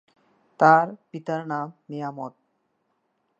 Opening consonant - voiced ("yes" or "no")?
no